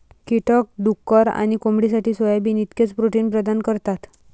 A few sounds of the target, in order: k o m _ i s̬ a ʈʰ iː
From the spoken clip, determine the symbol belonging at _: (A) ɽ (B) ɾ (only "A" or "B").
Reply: A